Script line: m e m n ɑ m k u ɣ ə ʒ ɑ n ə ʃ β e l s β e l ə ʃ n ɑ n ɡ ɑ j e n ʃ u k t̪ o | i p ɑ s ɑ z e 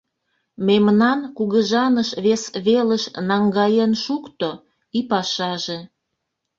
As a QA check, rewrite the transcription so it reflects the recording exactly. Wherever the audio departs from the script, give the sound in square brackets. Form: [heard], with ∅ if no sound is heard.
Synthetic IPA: m e m n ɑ [n] k u ɣ ə ʒ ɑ n ə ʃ β e [∅] s β e l ə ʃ n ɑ [ŋ] ɡ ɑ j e n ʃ u k t̪ o | i p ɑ [ʃ] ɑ [ʒ] e